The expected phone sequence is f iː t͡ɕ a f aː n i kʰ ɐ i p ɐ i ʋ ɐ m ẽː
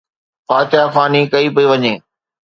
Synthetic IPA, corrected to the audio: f aː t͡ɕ a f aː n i k ɐ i p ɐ i ʋ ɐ ɲ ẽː